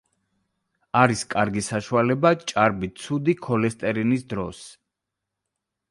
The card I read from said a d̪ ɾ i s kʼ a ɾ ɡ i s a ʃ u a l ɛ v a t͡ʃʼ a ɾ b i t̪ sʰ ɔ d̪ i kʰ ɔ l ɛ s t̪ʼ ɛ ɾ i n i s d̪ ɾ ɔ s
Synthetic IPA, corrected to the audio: a ɾ i s kʼ a ɾ ɡ i s a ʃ u a l ɛ b a t͡ʃʼ a ɾ b i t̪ sʰ u d̪ i kʰ ɔ l ɛ s t̪ʼ ɛ ɾ i n i s d̪ ɾ ɔ s

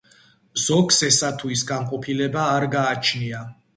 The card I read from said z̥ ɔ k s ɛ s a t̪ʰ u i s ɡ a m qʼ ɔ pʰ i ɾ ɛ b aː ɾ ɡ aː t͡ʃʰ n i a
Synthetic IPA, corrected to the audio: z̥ ɔ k s ɛ s a t̪ʰ u i s ɡ a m qʼ ɔ pʰ i l ɛ b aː ɾ ɡ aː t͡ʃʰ n i a

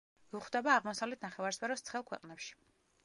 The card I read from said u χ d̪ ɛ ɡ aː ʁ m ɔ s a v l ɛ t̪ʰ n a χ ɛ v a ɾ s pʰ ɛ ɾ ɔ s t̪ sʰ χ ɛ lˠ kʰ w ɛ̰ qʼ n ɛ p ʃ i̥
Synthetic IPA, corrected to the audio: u χ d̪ ɛ b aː ʁ m ɔ s a v l ɛ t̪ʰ n a χ ɛ v a ɾ s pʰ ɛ ɾ ɔ s t̪ sʰ χ ɛ lˠ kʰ w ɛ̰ qʼ n ɛ p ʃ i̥

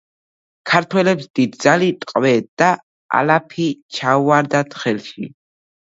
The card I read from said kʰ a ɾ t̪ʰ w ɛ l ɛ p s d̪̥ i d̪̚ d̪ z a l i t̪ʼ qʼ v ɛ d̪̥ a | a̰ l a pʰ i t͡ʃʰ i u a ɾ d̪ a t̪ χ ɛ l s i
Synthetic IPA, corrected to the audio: kʰ a ɾ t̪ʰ w ɛ l ɛ p s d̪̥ i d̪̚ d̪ z a l i t̪ʼ qʼ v ɛ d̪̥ a | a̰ l a pʰ i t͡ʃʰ a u a ɾ d̪ a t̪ χ ɛ l ʃ i

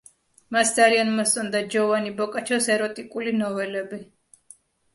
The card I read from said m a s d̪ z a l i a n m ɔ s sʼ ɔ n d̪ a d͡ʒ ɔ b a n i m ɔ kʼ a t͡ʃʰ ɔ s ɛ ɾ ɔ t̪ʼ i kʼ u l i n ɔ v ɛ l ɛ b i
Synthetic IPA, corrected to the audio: m a s d̪ z a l i a n m ɔ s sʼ ɔ n d̪ a d͡ʒ ɔ v a n i b ɔ kʼ a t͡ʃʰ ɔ s ɛ ɾ ɔ t̪ʼ i kʼ u l i n ɔ v ɛ l ɛ b i

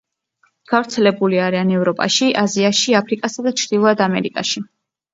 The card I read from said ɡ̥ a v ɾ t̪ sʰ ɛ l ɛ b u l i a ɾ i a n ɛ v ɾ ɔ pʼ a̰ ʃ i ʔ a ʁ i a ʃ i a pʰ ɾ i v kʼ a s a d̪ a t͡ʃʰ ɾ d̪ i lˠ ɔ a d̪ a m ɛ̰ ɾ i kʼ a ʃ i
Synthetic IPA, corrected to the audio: ɡ̥ a v ɾ t̪ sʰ ɛ l ɛ b u l i a ɾ i a n ɛ v ɾ ɔ pʼ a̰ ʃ i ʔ a z i a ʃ i a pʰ ɾ i kʼ a s a d̪ a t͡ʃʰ ɾ d̪ i lˠ ɔ a d̪ a m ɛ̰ ɾ i kʼ a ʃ i

